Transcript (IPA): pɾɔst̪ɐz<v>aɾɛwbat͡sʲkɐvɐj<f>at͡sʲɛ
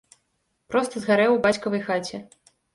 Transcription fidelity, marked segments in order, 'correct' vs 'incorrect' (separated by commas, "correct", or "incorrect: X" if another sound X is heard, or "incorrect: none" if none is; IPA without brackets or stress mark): incorrect: ɣ, incorrect: x